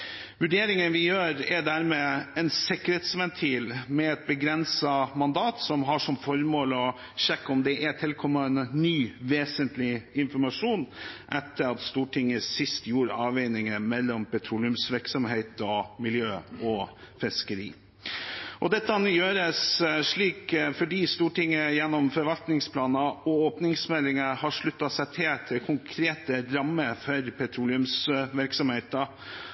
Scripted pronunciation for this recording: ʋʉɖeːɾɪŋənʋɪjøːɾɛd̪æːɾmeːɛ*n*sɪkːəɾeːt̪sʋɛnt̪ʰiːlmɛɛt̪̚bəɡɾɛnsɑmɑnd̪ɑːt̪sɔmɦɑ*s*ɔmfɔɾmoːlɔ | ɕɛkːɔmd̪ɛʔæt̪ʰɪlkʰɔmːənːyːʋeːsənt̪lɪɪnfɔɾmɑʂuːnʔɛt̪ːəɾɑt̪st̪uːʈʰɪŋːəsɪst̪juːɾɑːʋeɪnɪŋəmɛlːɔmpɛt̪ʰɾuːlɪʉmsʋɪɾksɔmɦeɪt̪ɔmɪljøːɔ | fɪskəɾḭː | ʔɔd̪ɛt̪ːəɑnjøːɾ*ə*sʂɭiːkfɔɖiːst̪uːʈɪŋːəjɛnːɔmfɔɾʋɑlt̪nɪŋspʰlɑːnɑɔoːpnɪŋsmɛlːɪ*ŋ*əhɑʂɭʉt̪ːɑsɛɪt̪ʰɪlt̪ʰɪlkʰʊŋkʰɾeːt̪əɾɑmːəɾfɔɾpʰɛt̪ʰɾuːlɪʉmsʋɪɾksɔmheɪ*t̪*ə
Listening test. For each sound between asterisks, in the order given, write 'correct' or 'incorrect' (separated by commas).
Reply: correct, incorrect, correct, correct, correct